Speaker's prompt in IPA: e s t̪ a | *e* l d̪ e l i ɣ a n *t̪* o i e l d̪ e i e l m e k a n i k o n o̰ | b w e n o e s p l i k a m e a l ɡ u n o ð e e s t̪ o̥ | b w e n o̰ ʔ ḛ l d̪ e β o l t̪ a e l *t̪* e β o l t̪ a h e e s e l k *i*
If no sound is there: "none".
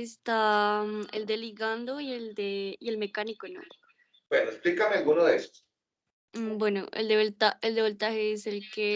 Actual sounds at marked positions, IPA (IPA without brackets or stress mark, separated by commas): e, d̪, d̪, e